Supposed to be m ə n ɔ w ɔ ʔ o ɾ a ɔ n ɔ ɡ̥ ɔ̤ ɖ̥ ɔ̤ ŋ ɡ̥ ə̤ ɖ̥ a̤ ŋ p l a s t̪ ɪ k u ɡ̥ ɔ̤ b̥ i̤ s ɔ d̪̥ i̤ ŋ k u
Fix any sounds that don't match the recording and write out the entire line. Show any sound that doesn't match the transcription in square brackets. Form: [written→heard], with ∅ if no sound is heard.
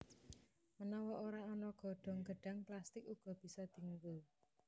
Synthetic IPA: m ə n ɔ w ɔ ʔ o ɾ a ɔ n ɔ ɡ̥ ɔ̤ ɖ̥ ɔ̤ ŋ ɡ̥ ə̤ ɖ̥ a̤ ŋ p l a s t̪ ɪ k u ɡ̥ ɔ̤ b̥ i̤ s ɔ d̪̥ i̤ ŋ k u